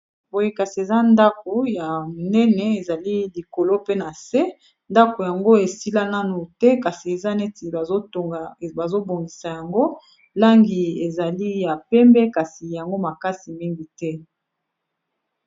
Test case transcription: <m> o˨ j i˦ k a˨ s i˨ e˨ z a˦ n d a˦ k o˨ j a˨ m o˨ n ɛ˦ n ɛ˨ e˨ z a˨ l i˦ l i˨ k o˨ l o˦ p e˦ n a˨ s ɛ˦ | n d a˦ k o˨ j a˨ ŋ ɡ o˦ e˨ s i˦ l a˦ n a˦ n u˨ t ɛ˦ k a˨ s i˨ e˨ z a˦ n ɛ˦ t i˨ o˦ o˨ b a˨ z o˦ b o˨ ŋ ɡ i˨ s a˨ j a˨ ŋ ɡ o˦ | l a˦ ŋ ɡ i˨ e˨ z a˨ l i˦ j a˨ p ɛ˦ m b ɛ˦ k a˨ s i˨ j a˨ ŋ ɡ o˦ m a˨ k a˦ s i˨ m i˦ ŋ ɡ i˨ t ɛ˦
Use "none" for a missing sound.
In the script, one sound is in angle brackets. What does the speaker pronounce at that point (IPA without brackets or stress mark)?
b